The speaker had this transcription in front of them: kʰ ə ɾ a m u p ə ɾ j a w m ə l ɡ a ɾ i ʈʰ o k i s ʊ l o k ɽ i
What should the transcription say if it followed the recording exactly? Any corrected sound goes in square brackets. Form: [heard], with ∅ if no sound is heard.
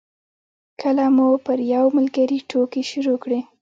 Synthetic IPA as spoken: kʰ ə [l] a m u p ə ɾ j a w m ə l ɡ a ɾ i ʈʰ o k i [ʃ] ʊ [ɾ] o k ɽ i